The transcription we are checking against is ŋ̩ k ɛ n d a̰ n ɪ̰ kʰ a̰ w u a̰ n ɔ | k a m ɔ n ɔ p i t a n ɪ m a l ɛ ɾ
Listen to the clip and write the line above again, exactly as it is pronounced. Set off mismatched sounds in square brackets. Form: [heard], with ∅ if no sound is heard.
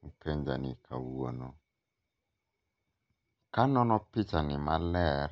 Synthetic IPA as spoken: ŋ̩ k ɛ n [d͡ʒ] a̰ n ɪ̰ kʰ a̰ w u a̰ n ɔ | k a [n] ɔ n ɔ p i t a n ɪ m a l ɛ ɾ

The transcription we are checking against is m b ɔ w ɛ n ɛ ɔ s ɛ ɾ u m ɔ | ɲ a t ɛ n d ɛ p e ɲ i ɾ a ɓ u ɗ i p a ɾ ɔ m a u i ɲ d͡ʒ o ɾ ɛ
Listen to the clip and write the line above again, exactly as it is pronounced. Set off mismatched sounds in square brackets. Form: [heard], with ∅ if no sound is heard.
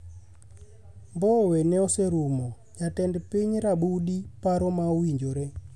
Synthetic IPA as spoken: m b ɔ w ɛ n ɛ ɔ s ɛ ɾ u m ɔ | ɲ a t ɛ n d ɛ p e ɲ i ɾ a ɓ u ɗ i p a ɾ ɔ m a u i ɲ d͡ʒ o ɾ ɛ

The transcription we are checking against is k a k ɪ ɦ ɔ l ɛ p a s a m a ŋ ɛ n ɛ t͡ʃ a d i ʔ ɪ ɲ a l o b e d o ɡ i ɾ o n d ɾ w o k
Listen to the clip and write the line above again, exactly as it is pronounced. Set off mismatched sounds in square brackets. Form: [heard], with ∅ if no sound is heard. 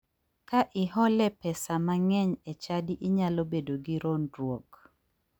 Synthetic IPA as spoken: k a [ʔ] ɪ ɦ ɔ l ɛ p [ɛ] s a m a ŋ ɛ [ɲ] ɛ t͡ʃ a d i ʔ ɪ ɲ a l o b e d o ɡ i ɾ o n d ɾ w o k

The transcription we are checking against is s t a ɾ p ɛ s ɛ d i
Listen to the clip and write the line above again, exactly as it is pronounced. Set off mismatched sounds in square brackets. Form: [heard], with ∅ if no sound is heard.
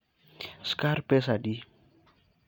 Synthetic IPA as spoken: s [k] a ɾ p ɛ s [a] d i

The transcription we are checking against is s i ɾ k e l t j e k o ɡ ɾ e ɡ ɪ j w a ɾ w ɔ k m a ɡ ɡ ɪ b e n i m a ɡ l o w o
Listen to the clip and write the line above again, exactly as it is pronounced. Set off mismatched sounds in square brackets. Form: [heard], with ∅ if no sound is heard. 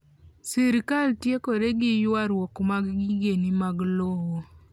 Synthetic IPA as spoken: s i ɾ k [a] l t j e k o [∅] ɾ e ɡ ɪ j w a ɾ w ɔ k m a ɡ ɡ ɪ [ɡ] e n i m a ɡ l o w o

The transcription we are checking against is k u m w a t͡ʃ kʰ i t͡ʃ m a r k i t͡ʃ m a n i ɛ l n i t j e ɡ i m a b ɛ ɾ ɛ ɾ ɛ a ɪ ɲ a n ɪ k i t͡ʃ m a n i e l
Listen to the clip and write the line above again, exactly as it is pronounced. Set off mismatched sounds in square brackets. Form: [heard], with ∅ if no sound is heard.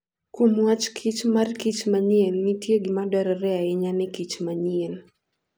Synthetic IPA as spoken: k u m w a t͡ʃ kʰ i t͡ʃ m a r k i t͡ʃ m a [ɲ] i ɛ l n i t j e ɡ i m a [d] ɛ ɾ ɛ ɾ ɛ a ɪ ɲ a n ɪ k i t͡ʃ m a [ɲ] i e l

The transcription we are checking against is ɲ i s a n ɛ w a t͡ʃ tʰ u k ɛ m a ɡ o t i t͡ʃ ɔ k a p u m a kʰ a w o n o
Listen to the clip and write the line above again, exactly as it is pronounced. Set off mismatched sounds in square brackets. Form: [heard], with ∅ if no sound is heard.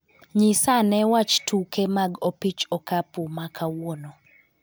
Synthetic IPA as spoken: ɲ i s a n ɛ w a t͡ʃ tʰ u k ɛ m a ɡ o [p] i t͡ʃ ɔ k a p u m a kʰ a w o n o

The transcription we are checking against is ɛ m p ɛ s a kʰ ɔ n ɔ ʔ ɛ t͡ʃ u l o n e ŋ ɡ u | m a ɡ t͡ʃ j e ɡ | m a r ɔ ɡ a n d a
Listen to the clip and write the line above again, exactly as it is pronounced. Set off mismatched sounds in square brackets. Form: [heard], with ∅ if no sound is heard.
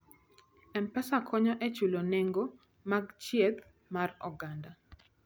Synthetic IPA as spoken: ɛ m p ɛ s a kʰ ɔ [ɲ] ɔ ʔ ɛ t͡ʃ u l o n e ŋ ɡ [o] | m a ɡ t͡ʃ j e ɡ | m a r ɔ ɡ a n d a

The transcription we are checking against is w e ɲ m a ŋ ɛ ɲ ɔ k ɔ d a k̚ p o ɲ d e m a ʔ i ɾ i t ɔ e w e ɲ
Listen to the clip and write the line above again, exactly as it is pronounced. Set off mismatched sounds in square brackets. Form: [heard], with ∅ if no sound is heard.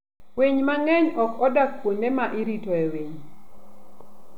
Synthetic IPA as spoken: w e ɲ m a ŋ ɛ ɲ ɔ k ɔ d a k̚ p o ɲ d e m a ʔ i ɾ i t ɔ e w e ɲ

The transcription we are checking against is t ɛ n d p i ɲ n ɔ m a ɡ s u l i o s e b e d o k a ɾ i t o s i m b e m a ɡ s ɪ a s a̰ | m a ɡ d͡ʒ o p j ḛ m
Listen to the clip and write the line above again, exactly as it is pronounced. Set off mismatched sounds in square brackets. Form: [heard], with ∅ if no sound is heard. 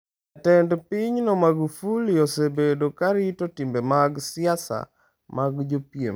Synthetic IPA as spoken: t ɛ n d p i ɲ n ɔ m a ɡ [f] u l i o s e b e d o k a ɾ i t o [t] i m b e m a ɡ s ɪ a s a̰ | m a ɡ d͡ʒ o p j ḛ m

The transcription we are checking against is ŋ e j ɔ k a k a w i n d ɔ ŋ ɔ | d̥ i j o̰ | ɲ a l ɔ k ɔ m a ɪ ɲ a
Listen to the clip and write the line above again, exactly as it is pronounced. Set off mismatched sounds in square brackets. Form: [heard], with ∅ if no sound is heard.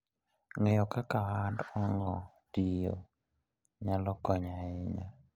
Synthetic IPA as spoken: ŋ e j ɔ k a k a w [a] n d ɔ ŋ ɔ | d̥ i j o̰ | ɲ a l ɔ k ɔ [ɲ] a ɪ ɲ a

